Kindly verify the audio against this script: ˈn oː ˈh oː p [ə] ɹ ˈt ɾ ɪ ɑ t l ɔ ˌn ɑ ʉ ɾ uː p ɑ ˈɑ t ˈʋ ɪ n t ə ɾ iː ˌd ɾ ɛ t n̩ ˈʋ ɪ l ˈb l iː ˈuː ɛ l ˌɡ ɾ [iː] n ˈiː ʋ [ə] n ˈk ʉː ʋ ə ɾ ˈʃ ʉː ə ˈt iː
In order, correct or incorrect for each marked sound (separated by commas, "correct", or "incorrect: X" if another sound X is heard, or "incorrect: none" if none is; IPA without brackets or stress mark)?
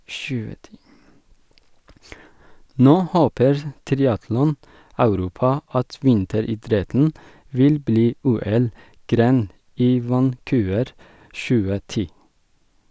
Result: correct, incorrect: eː, incorrect: ɑ